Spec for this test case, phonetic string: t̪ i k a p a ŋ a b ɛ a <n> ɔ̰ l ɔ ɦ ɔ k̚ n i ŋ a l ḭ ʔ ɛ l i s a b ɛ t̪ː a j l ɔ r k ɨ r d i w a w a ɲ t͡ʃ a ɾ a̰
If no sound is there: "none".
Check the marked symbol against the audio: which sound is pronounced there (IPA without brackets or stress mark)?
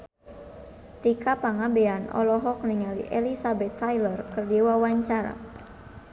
n